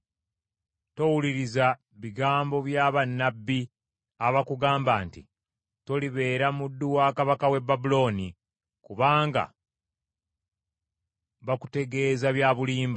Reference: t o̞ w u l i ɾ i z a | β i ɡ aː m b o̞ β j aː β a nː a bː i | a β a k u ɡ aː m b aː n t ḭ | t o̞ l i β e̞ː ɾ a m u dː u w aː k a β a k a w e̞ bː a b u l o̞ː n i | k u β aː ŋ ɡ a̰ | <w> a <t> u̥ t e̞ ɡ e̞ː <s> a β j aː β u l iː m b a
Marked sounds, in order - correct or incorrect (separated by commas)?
incorrect, incorrect, incorrect